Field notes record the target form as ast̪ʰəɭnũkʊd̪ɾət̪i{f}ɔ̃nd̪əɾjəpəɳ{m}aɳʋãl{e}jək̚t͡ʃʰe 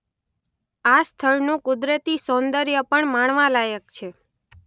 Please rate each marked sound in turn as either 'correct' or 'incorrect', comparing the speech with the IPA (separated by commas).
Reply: incorrect, correct, incorrect